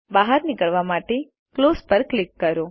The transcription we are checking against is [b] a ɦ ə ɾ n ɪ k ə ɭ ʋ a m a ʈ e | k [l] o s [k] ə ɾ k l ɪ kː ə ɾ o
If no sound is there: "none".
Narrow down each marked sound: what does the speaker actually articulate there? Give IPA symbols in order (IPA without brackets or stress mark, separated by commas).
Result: b, l, p